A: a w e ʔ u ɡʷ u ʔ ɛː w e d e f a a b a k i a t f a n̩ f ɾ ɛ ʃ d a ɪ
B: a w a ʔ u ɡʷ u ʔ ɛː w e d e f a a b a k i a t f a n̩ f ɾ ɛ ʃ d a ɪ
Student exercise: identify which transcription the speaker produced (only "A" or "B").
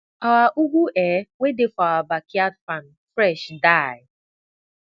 B